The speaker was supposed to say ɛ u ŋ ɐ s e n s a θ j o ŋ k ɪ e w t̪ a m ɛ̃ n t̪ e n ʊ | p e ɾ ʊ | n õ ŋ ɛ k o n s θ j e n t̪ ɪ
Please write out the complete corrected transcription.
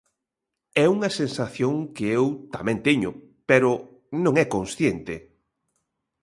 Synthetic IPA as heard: ɛ u ŋ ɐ s e n s a θ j o ŋ k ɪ e w t̪ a m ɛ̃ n t̪ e ɲ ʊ | p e ɾ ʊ | n õ ŋ ɛ k o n s θ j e n t̪ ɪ